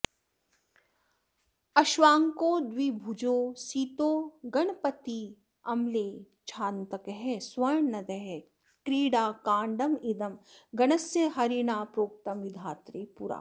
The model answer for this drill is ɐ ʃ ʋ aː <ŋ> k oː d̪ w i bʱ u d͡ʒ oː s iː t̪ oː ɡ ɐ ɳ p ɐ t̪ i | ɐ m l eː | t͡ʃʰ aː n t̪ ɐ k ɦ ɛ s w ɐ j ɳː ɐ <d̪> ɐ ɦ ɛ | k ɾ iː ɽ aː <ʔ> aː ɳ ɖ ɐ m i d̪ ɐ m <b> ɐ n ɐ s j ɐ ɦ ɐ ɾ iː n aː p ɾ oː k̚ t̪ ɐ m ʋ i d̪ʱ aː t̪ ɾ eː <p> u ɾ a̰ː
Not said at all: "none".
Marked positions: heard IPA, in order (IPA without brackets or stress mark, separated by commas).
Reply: ŋ, d̪, k, ɡ, p